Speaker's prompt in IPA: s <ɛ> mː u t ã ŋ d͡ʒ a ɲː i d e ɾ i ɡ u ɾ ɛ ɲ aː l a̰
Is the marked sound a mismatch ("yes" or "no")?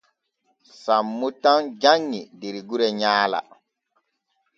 yes